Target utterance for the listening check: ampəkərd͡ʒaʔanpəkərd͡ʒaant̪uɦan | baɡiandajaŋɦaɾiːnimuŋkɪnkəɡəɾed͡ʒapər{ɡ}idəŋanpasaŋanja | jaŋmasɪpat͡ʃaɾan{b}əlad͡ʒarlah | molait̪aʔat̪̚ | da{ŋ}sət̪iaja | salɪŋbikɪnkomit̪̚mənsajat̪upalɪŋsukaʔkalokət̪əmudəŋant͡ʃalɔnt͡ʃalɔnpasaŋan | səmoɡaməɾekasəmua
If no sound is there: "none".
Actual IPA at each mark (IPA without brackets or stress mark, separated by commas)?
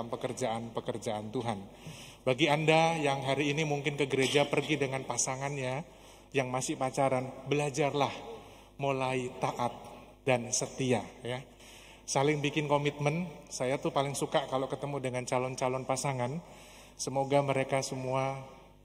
ɡ, b, n